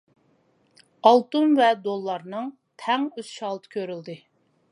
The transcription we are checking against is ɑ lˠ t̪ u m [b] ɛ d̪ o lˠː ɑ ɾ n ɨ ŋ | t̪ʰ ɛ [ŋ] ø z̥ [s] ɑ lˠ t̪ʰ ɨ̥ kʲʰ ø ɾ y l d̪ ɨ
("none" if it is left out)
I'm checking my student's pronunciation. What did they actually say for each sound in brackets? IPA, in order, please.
v, ŋ, ʃ

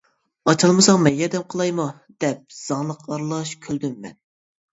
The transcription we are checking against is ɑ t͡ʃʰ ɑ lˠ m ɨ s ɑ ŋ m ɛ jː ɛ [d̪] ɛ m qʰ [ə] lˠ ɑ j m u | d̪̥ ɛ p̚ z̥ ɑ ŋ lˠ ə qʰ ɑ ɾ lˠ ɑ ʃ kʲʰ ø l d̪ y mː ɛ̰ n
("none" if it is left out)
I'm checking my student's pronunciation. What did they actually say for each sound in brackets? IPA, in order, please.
d̪, ə

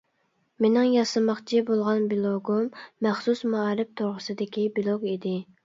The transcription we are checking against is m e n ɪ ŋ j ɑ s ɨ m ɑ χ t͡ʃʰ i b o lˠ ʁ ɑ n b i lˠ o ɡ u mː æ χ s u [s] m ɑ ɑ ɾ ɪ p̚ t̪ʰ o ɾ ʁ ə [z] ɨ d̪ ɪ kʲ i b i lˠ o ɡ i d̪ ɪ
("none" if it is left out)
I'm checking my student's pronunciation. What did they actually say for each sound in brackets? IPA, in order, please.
s, s

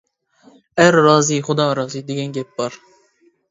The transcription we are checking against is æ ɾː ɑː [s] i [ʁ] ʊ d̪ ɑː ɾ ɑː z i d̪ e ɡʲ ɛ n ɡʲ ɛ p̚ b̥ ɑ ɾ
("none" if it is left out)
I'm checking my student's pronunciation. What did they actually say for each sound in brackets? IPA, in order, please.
z, χ

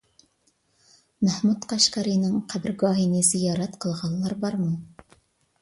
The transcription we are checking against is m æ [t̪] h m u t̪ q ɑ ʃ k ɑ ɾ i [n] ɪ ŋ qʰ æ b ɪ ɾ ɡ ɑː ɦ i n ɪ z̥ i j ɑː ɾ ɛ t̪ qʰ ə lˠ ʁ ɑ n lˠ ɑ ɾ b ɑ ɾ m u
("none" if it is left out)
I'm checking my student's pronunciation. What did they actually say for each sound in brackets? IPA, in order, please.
none, n

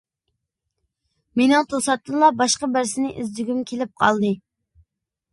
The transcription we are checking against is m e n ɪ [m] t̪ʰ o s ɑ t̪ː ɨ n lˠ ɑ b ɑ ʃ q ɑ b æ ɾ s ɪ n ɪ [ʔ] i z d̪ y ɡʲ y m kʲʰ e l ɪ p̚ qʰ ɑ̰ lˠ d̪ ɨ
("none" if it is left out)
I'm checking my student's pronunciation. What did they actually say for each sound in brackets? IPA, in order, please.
ŋ, ʔ

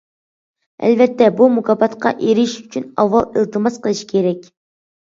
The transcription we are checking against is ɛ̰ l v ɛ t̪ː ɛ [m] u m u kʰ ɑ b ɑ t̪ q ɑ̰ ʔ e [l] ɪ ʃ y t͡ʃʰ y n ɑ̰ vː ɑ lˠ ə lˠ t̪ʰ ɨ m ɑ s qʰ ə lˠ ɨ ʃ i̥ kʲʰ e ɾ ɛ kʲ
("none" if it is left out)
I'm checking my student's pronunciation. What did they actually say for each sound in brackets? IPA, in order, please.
b, ɾ

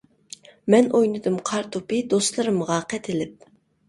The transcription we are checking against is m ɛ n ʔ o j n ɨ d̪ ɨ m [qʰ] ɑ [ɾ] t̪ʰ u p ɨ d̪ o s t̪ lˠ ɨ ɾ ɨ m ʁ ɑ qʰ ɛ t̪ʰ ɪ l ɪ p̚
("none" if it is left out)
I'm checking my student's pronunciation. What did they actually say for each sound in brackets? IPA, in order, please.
qʰ, ɾ

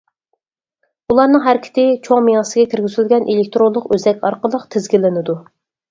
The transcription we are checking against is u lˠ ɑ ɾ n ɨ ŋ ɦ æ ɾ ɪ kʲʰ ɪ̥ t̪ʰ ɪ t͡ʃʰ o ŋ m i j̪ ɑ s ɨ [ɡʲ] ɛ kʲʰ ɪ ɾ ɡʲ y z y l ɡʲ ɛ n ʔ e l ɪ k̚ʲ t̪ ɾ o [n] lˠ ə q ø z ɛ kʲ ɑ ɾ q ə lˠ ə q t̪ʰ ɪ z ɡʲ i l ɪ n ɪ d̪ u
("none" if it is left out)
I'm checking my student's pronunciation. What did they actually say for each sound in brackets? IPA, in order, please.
ɡʲ, n

